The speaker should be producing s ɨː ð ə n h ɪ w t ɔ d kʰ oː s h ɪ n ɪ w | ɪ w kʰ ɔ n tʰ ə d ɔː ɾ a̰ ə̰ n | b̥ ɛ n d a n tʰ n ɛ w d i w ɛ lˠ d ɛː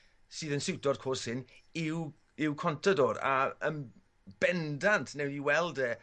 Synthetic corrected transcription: s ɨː ð ə n s ɪ w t ɔ d kʰ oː s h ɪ n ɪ w | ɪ w kʰ ɔ n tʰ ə d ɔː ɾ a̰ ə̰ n | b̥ ɛ n d a n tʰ n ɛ w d i w ɛ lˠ d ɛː